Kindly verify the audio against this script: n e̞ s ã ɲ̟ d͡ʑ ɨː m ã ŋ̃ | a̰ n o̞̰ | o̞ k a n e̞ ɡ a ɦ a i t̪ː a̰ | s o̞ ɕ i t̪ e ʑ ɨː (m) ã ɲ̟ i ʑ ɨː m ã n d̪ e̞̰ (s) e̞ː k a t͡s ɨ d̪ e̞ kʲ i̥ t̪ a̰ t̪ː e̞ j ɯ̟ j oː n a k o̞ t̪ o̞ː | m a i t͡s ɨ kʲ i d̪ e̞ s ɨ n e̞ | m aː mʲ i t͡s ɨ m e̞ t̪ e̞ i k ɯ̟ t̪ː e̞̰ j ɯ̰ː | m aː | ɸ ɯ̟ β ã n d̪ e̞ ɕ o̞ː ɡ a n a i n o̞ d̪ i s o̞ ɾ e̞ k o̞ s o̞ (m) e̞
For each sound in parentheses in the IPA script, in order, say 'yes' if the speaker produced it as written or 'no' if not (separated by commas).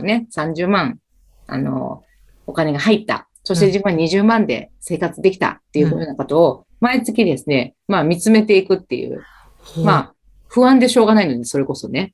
yes, yes, no